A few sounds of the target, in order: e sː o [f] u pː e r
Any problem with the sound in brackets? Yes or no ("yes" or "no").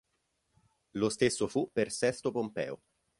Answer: no